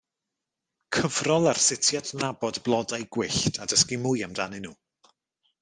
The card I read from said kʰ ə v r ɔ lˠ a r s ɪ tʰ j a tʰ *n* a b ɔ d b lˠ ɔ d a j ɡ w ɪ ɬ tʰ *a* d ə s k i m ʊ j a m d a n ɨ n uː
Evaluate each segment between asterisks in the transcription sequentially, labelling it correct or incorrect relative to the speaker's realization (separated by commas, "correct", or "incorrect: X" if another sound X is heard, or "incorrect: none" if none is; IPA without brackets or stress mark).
correct, correct